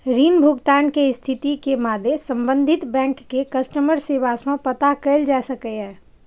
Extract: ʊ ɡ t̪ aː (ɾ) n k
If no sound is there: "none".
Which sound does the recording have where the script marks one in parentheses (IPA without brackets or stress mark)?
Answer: none